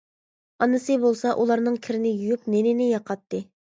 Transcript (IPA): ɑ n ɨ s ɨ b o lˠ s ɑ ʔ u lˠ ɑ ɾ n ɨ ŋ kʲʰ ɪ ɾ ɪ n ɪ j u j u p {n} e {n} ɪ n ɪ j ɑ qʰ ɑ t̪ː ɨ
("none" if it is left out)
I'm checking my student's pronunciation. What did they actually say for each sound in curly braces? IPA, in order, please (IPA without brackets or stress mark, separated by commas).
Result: n, n